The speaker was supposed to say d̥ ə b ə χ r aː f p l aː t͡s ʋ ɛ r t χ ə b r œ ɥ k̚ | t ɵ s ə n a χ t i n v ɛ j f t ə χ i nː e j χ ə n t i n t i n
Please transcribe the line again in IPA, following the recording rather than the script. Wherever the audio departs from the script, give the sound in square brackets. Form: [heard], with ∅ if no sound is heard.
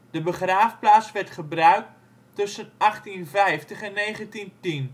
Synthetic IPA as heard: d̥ ə b ə χ r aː f p l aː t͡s ʋ ɛ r t χ ə b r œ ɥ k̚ | t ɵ s ə n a χ t i n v ɛ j f t ə χ [ɛ] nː e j χ ə n t i n t i n